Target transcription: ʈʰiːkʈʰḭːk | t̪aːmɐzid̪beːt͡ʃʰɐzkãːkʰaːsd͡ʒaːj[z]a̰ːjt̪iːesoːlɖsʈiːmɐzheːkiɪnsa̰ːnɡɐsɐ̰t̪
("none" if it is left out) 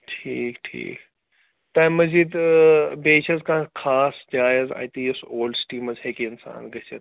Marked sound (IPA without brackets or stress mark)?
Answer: z